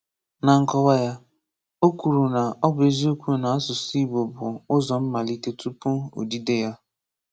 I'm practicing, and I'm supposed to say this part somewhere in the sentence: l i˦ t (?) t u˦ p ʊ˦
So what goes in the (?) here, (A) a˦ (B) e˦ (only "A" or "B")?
B